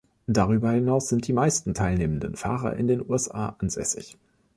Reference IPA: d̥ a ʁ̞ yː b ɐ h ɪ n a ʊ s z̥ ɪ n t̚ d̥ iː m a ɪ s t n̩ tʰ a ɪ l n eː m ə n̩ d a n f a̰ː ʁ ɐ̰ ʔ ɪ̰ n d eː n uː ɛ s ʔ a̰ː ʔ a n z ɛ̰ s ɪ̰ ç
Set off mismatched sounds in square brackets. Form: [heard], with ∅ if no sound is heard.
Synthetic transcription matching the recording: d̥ a ʁ̞ yː b ɐ h ɪ n a ʊ s z̥ ɪ n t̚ d̥ iː m a ɪ s t n̩ tʰ a ɪ l n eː m ə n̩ d [ə] n f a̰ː ʁ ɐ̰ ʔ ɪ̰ n d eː n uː ɛ s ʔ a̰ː ʔ a n z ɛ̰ s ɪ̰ ç